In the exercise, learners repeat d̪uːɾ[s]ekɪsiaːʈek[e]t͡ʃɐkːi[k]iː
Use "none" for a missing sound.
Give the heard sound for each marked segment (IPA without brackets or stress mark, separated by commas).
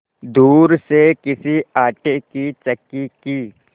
s, i, k